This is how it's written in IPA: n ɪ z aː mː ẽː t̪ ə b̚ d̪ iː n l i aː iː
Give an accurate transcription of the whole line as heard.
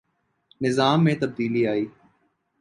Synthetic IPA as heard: n ɪ z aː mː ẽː t̪ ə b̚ d̪ iː l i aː iː